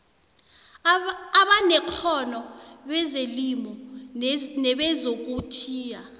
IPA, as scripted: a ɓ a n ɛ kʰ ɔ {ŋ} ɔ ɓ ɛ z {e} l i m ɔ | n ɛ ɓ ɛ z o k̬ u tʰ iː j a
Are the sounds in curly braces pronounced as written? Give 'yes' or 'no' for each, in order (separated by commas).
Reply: no, yes